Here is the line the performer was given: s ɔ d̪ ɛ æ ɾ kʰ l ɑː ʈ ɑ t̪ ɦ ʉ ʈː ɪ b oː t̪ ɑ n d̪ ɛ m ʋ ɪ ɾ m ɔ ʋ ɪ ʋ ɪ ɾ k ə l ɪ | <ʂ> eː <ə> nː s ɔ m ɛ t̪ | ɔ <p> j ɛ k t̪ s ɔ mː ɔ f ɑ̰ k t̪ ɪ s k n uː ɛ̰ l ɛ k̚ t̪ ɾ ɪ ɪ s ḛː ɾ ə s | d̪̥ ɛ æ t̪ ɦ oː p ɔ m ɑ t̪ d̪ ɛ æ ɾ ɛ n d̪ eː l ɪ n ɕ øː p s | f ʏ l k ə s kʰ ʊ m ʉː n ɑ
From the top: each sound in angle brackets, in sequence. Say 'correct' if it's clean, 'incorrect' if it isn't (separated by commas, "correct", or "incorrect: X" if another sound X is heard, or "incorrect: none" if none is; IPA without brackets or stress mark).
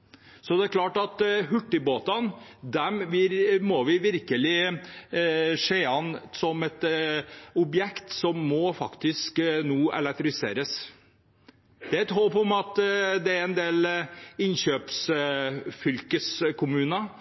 correct, incorrect: ɑ, incorrect: b